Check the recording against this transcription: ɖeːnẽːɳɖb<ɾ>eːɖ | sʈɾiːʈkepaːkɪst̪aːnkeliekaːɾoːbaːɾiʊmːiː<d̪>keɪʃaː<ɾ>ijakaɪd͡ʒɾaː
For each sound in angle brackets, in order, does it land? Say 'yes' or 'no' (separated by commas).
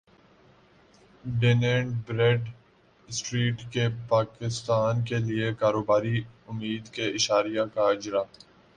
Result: yes, yes, yes